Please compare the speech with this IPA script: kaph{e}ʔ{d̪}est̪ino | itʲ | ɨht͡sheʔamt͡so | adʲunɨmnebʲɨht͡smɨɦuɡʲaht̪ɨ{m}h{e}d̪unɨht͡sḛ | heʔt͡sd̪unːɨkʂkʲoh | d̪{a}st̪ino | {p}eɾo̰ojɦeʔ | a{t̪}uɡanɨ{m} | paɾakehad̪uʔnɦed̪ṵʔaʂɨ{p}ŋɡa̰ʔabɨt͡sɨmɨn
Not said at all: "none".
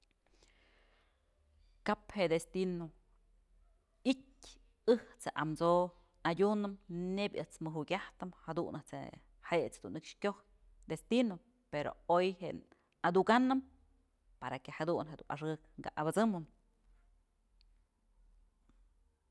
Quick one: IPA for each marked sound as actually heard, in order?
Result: e, d̪, m, a, e, p, d̪, m, k

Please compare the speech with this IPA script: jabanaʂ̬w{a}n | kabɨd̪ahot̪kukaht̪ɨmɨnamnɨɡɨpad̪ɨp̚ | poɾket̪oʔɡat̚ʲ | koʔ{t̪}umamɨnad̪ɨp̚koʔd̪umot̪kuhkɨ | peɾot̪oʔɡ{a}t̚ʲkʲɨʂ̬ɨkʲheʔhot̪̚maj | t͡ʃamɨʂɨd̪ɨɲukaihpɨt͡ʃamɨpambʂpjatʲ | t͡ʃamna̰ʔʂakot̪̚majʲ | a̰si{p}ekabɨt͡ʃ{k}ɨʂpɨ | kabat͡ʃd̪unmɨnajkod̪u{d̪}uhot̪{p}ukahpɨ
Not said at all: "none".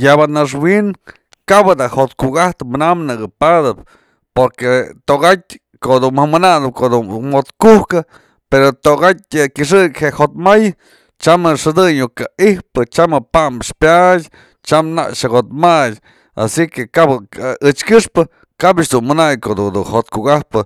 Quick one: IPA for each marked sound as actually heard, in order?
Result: i, d̪, a, k, k, d̪, k

